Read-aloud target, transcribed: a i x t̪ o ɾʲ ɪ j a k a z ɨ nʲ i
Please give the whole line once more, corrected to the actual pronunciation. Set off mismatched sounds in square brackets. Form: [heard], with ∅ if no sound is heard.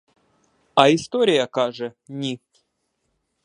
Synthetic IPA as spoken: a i [s] t̪ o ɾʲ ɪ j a k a [ʐ] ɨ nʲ i

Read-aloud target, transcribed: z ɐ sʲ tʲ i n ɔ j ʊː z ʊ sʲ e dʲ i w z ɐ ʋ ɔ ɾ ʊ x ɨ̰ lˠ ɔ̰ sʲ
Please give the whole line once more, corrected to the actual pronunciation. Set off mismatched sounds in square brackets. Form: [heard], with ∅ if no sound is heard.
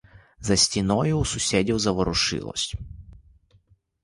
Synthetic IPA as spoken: z ɐ sʲ tʲ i n ɔ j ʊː [s] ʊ sʲ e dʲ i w z ɐ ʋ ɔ ɾ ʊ [ʂ] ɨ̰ lˠ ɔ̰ sʲ

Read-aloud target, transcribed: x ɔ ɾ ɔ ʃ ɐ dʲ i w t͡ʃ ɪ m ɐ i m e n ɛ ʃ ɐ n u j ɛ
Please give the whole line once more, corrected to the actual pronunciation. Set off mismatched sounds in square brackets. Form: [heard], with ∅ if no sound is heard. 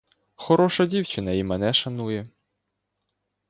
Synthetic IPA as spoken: x ɔ ɾ ɔ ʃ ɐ dʲ i w t͡ʃ ɪ [n] ɐ i m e n ɛ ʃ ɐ n u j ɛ

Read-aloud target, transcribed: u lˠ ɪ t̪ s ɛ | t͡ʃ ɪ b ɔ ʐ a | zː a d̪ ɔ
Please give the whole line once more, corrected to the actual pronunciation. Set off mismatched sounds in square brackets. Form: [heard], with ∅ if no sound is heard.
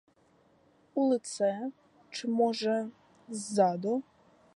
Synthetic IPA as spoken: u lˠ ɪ t̪ s ɛ | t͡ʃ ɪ [m] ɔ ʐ [ɛ] | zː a d̪ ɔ

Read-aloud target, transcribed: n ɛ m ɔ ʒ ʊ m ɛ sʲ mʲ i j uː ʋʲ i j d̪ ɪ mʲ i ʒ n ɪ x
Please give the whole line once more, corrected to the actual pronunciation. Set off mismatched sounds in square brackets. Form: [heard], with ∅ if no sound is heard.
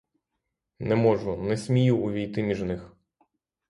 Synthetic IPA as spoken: n ɛ m ɔ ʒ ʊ [n] ɛ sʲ mʲ i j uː ʋʲ i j [t̪] ɪ mʲ i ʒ n ɪ x

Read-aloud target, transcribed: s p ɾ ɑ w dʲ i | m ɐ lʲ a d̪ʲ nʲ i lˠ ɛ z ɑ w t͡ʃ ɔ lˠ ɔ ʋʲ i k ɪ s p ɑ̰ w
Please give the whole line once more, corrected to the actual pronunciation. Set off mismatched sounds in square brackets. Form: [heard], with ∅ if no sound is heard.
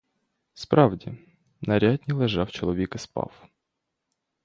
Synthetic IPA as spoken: s p ɾ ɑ w dʲ i | [n] ɐ [ɾʲ] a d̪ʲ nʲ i lˠ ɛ [ʒ] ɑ w t͡ʃ ɔ lˠ ɔ ʋʲ i k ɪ s p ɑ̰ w

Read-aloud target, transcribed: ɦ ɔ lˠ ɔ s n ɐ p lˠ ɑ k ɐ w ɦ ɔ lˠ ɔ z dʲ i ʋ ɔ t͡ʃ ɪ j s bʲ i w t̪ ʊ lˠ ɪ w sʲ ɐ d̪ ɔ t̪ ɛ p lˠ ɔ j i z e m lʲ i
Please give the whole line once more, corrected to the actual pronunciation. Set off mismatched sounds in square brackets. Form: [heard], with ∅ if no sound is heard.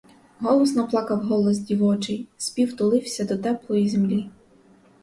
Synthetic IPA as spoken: ɦ ɔ lˠ ɔ s n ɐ p lˠ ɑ k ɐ w ɦ ɔ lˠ ɔ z dʲ i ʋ ɔ t͡ʃ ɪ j s [pʲ] i w t̪ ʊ lˠ ɪ w sʲ ɐ d̪ ɔ t̪ ɛ p lˠ ɔ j i z e m lʲ i

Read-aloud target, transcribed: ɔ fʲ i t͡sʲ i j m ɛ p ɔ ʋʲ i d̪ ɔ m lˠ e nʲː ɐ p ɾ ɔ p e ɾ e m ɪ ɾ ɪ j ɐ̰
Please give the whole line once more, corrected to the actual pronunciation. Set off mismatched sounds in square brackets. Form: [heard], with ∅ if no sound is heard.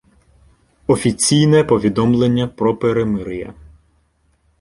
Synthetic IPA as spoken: ɔ fʲ i t͡sʲ i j [n] ɛ p ɔ ʋʲ i d̪ ɔ m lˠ e nʲː ɐ p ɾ ɔ p e ɾ e m ɪ ɾ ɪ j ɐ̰

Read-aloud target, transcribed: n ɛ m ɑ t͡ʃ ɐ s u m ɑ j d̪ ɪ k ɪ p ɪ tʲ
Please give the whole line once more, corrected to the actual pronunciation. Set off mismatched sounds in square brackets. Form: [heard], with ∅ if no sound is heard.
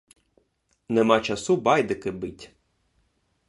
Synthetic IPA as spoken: n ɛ m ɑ t͡ʃ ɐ s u [b] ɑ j d̪ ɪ k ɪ [b] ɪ tʲ

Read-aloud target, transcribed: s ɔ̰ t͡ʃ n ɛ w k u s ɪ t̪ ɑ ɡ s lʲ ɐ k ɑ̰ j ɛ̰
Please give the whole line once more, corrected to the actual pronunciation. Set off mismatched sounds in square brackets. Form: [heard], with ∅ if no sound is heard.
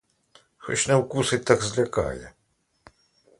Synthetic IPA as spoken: [x] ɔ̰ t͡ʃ n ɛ w k u s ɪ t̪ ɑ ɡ [z] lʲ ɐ k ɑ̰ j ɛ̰

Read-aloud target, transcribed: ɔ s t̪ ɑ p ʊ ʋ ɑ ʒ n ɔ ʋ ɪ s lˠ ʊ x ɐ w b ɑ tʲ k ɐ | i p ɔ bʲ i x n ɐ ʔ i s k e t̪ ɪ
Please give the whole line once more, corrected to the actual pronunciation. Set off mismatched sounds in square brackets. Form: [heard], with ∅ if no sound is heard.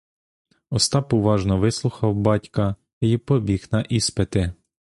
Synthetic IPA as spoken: ɔ s t̪ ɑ p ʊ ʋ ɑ ʒ n ɔ ʋ ɪ s lˠ ʊ x ɐ w b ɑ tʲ k ɐ | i p ɔ bʲ i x n ɐ ʔ i s [p] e t̪ ɪ

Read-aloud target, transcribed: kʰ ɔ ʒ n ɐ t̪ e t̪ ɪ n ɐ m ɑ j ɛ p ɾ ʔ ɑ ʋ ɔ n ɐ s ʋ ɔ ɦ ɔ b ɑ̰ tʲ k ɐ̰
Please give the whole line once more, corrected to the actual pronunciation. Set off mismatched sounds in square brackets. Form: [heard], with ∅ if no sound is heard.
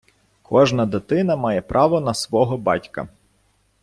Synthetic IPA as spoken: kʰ ɔ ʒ n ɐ [d̪] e t̪ ɪ n ɐ m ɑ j ɛ p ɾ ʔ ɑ ʋ ɔ n ɐ s ʋ ɔ ɦ ɔ b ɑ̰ tʲ k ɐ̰

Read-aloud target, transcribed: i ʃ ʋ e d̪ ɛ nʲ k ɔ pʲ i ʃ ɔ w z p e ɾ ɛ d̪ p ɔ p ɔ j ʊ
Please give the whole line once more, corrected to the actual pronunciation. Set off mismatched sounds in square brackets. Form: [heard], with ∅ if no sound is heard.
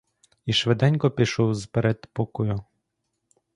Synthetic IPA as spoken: i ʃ ʋ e d̪ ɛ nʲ k ɔ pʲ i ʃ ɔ w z p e ɾ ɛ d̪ p ɔ [k] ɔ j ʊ

